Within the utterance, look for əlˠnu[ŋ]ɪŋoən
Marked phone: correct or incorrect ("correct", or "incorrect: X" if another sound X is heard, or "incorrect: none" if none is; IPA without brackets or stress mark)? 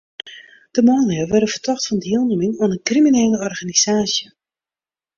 incorrect: m